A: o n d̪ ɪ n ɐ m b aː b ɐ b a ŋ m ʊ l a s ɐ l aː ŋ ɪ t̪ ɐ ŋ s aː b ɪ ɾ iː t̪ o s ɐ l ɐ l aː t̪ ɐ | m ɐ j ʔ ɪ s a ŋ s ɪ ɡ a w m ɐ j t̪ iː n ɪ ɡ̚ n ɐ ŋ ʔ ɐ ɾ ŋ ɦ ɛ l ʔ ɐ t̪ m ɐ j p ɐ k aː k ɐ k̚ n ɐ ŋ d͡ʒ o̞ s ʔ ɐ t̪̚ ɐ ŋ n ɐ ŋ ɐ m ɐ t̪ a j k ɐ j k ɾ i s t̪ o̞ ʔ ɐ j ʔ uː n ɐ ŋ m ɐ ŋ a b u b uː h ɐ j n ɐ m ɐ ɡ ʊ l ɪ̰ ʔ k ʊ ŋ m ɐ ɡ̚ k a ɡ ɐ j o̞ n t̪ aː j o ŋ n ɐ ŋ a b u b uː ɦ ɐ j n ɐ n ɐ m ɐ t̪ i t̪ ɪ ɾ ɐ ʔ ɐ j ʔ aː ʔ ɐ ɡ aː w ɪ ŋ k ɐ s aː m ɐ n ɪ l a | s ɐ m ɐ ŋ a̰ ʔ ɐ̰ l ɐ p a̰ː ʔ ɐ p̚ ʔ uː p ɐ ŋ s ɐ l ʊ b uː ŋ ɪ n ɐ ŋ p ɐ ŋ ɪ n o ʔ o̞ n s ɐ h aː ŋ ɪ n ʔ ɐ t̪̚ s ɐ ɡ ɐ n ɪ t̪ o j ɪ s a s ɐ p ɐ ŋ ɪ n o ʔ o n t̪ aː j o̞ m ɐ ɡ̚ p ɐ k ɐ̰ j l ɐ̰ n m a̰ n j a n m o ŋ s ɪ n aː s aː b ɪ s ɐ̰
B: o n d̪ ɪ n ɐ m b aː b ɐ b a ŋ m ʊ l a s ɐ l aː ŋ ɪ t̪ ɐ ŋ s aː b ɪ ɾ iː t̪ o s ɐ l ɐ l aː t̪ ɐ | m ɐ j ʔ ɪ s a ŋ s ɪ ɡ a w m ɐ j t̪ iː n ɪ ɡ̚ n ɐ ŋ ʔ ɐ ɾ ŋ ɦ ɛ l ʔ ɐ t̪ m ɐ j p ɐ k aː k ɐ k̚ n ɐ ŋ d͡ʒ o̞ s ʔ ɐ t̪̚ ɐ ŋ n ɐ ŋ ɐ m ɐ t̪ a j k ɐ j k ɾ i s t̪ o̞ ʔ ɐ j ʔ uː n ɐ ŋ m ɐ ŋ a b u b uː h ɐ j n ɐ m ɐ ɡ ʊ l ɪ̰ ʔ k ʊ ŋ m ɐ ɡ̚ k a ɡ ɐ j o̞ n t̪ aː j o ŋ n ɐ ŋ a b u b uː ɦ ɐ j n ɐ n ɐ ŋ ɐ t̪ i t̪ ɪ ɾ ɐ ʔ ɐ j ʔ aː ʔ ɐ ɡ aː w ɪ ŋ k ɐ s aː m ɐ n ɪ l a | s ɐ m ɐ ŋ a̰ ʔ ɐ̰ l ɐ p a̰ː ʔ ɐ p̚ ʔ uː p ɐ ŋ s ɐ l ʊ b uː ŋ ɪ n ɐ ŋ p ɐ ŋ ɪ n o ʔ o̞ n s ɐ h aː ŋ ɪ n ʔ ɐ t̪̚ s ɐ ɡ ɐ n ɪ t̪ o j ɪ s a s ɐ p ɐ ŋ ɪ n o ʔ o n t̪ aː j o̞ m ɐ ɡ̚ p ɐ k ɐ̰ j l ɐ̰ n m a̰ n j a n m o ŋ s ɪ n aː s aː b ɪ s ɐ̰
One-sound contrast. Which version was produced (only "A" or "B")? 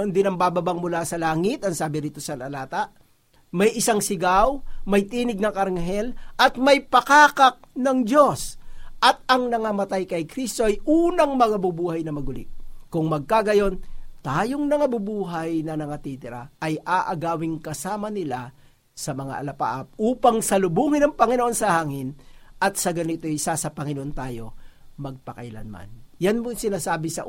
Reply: B